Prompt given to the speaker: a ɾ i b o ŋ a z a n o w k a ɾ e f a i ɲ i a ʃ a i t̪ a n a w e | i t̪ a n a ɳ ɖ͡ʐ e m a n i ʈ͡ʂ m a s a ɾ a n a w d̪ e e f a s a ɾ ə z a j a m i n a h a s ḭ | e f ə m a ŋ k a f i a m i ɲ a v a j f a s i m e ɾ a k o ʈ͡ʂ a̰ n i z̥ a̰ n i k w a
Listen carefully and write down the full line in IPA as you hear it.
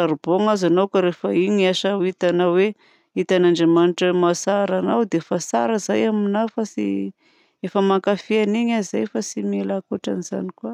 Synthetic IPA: a ɾ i b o ŋ a z a n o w k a ɾ e f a i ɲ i a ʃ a i t̪ a n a w e | i t̪ a n a ɳ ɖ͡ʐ e m a n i ʈ͡ʂ m a s a ɾ a n a w d̪ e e f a s a ɾ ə z a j a m i n a f a s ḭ | e f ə m a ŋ k a f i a n i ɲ a z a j f a s i m e l a k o ʈ͡ʂ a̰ n i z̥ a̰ n i k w a